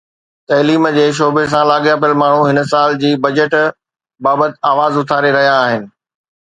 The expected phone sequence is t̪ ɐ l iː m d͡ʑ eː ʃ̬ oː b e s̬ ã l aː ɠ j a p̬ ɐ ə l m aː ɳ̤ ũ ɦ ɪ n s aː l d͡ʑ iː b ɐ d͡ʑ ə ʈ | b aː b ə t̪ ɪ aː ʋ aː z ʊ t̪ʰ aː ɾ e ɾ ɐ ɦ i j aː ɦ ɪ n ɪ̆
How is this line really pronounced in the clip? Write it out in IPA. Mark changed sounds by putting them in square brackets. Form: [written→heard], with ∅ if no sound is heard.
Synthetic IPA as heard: t̪ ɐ l iː m d͡ʑ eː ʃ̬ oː b e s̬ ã l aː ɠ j a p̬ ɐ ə l m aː ɳ̤ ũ ɦ ɪ n s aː l d͡ʑ iː b ɐ d͡ʑ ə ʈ | b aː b ə t̪ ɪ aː ʋ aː z ʊ t̪ʰ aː ɾ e ɾ ɐ ɦ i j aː ɦ ɪ n ɪ̆